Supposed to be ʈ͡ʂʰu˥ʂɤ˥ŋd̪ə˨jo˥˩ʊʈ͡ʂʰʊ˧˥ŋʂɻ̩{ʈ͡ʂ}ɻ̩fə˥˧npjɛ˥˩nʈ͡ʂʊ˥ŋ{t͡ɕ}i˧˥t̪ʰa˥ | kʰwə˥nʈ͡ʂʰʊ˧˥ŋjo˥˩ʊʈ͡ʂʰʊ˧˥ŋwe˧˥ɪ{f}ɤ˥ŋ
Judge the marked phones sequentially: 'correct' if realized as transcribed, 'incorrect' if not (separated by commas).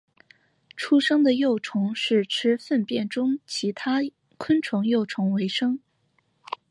incorrect, incorrect, incorrect